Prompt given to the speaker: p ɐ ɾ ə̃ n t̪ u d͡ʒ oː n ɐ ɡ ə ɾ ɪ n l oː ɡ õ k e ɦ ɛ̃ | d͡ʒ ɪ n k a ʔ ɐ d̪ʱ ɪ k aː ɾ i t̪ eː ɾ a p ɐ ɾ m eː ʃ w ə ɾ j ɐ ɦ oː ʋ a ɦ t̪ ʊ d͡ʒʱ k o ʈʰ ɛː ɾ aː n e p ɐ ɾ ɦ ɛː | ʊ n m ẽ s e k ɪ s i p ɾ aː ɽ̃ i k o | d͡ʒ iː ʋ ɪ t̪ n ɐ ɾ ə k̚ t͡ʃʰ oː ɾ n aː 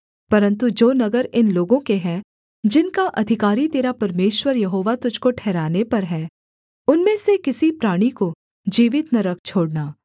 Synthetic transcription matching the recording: p ɐ ɾ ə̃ n t̪ u d͡ʒ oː n ɐ ɡ ə ɾ ɪ n l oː ɡ õ k e ɦ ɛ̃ | d͡ʒ ɪ n k a ʔ ɐ d̪ʱ ɪ k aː ɾ i t̪ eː ɾ a p ɐ ɾ m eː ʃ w ə ɾ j ɐ ɦ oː ʋ a t̪ ʊ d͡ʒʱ k o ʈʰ ɛː ɾ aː n e p ɐ ɾ ɦ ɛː | ʊ n m ẽ s e k ɪ s i p ɾ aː ɽ̃ i k o | d͡ʒ iː ʋ ɪ t̪ n ɐ ɾ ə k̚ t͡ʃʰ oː ɽ n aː